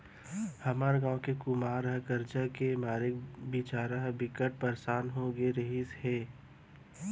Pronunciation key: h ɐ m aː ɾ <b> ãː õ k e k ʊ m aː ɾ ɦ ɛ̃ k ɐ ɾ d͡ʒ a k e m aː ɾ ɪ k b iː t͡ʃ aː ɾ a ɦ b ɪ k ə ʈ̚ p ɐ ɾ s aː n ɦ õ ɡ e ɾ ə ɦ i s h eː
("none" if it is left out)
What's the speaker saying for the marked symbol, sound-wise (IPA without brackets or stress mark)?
ɡ